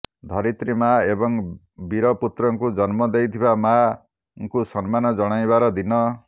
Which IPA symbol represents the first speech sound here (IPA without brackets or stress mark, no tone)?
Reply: d̪ʱ